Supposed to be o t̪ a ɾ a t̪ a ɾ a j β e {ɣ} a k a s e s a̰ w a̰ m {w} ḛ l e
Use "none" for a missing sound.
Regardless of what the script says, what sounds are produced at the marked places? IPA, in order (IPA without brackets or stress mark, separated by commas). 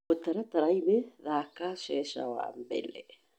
ð, b